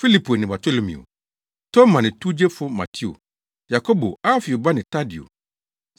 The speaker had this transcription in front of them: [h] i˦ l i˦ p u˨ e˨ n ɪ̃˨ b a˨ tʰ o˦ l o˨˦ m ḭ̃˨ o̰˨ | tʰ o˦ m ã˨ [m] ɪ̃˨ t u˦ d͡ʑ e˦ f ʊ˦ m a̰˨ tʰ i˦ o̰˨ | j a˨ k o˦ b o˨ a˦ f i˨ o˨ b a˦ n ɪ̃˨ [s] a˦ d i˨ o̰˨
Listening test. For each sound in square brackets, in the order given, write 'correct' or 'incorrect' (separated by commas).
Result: incorrect, incorrect, incorrect